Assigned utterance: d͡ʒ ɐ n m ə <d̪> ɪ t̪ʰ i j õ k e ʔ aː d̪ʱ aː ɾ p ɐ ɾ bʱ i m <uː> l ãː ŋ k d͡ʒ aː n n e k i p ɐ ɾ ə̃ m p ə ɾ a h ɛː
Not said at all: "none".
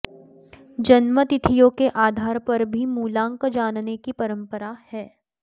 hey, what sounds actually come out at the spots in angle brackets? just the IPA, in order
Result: t̪, uː

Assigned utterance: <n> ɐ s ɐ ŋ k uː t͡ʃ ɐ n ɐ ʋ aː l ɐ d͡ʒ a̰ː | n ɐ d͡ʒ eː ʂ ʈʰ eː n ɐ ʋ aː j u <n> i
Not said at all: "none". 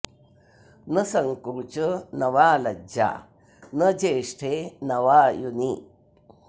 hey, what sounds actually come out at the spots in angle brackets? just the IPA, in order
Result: n, n

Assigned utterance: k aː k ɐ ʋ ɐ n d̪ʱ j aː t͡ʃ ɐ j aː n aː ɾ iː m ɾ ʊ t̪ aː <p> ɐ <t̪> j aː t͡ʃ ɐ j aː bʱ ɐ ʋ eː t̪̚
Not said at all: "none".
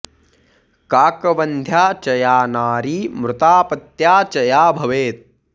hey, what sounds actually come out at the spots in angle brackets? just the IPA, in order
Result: p, t̪

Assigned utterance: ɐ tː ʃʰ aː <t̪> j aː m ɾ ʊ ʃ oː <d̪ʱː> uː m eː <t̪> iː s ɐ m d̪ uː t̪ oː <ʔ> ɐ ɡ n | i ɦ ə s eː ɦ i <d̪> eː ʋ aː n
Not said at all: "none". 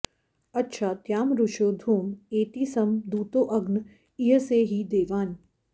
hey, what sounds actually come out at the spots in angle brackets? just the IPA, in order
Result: t̪, d̪ʱ, t̪, ʔ, d̪

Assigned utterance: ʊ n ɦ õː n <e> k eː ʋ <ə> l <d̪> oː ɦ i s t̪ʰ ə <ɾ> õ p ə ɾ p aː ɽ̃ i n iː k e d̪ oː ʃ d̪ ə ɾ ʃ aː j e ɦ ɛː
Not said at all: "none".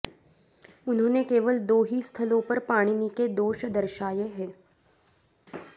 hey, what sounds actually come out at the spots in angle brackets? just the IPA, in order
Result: e, ə, d̪, l

